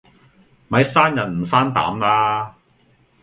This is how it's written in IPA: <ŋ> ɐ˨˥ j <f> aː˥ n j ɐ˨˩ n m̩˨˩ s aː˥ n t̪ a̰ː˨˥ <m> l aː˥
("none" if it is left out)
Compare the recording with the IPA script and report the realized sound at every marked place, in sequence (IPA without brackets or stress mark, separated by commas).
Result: m, s, m